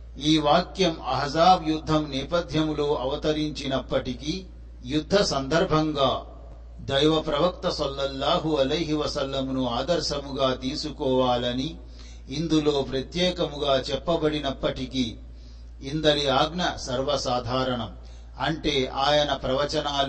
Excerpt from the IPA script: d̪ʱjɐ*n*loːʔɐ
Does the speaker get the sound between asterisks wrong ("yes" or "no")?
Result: yes